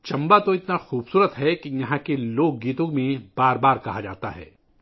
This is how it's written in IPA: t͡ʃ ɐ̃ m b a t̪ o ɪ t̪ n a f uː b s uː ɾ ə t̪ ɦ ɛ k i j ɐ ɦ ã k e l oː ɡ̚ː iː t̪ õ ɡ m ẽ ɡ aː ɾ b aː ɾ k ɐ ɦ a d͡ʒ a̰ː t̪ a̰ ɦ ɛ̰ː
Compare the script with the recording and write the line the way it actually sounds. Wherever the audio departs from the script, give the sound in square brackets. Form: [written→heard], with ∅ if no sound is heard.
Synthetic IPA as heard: t͡ʃ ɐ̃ m b a t̪ o ɪ t̪ n a [f→x] uː b s uː ɾ ə t̪ ɦ ɛ k i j ɐ ɦ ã k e l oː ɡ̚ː iː t̪ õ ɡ m ẽ [ɡ→b] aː ɾ b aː ɾ k ɐ ɦ a d͡ʒ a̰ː t̪ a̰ ɦ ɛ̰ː